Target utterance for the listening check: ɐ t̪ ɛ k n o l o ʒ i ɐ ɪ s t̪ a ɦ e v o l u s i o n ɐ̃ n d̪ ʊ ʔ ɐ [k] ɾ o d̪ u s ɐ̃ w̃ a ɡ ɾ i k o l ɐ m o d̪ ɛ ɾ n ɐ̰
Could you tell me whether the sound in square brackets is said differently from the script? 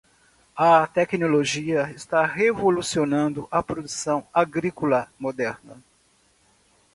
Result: yes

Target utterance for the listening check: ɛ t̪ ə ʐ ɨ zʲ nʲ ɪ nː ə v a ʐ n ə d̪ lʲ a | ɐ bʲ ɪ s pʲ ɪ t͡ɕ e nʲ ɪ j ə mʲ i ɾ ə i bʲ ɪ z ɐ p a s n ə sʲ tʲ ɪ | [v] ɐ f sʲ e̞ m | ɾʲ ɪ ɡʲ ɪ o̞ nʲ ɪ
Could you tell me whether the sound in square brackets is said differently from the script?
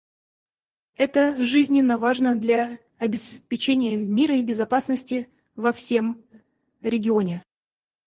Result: no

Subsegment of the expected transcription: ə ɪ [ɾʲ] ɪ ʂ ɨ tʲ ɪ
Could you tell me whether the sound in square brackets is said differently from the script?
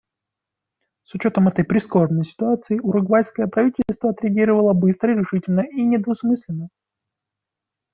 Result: no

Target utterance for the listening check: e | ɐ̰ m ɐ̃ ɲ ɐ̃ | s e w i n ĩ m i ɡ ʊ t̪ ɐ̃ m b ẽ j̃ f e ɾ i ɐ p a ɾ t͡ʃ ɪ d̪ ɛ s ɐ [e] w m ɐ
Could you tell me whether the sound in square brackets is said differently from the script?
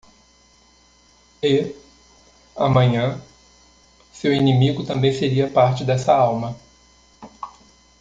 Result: yes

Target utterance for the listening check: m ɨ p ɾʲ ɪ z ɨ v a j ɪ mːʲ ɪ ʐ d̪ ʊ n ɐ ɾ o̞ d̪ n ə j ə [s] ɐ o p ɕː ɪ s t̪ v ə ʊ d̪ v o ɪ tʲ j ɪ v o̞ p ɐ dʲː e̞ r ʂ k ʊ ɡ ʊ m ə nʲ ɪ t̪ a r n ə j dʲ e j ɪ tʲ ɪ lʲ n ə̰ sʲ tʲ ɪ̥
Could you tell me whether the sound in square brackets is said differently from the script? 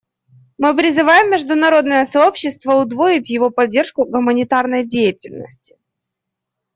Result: no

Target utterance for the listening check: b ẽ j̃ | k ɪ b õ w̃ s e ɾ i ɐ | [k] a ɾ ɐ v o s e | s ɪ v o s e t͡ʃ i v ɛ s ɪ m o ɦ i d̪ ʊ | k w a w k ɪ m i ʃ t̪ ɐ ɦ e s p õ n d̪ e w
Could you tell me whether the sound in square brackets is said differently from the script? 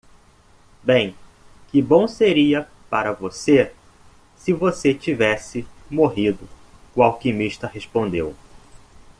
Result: yes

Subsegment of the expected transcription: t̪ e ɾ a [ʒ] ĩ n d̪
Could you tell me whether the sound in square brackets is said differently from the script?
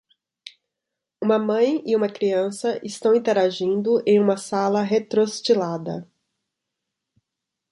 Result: no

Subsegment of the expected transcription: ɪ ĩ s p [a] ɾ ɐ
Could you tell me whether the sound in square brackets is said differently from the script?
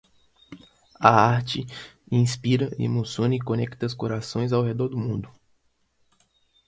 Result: yes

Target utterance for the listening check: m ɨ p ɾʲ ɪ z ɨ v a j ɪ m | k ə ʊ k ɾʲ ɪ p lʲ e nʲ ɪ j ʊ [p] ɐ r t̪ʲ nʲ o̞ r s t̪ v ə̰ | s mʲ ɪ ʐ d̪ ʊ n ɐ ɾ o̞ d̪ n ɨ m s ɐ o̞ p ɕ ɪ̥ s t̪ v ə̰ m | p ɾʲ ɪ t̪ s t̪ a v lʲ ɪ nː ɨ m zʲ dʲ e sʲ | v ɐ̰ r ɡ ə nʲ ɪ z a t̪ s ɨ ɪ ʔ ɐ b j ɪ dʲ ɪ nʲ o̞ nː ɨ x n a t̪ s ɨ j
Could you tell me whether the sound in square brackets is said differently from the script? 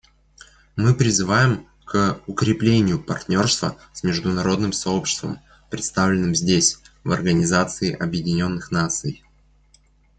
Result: no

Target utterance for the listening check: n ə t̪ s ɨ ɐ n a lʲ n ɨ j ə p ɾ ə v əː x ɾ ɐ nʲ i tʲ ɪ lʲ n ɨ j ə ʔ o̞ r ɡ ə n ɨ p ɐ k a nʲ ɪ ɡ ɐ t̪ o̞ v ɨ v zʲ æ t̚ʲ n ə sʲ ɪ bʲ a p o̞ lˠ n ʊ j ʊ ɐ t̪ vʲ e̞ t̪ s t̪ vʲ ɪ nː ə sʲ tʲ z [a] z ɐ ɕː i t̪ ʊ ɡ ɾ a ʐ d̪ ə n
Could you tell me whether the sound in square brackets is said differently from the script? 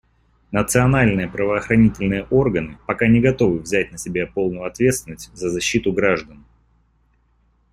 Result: yes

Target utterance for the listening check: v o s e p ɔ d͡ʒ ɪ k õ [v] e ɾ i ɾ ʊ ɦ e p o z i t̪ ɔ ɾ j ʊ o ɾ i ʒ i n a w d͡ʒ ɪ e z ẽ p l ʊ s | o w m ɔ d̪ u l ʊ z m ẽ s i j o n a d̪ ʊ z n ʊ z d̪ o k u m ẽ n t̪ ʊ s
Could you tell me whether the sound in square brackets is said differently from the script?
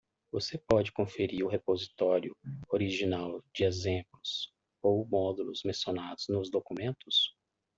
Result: yes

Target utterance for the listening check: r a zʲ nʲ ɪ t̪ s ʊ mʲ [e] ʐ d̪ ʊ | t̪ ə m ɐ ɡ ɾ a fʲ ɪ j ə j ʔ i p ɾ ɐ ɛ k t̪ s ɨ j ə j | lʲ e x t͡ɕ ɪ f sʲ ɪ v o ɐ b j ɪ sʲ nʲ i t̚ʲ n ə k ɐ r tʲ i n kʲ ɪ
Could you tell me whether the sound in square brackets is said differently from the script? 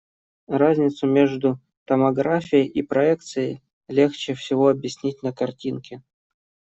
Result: no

